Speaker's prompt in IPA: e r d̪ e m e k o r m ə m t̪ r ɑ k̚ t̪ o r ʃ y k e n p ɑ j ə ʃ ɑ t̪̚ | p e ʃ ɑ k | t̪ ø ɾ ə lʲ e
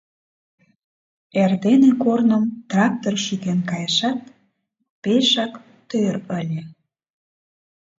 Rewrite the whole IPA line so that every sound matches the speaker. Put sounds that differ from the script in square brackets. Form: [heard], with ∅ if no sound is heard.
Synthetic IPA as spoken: e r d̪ e [n] e k o r [n] ə m t̪ r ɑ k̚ t̪ o r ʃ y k e n [k] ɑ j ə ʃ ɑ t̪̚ | p e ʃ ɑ k | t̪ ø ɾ ə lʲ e